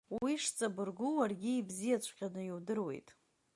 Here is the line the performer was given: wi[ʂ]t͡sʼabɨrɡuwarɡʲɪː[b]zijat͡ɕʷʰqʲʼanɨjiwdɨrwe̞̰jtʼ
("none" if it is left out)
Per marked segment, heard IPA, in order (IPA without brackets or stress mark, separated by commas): ʂ, b